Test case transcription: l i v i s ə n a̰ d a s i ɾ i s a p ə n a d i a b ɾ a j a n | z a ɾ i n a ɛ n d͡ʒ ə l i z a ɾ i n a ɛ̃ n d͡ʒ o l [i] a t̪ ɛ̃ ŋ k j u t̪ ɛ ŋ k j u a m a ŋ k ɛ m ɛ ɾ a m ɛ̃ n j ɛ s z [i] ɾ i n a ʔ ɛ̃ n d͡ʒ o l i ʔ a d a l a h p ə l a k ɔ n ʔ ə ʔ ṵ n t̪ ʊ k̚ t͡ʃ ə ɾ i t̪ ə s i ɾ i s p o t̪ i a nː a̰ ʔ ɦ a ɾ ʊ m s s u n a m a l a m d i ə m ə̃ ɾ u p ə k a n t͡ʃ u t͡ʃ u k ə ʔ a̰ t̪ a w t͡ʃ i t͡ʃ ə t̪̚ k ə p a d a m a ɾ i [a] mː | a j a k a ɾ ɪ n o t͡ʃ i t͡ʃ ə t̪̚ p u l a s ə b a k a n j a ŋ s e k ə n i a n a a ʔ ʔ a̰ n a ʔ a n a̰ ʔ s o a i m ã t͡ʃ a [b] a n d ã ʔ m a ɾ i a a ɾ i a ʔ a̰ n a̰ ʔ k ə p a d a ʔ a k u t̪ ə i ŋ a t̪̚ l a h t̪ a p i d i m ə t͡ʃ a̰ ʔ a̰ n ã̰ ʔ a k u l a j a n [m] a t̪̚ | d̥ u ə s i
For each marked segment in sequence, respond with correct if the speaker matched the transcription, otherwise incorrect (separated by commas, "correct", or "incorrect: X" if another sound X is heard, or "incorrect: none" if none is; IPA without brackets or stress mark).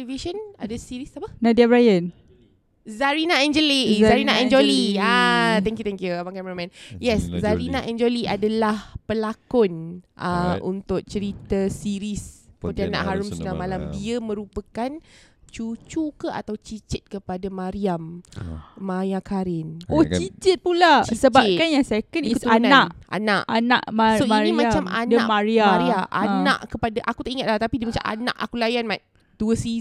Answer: correct, incorrect: a, correct, incorrect: m, correct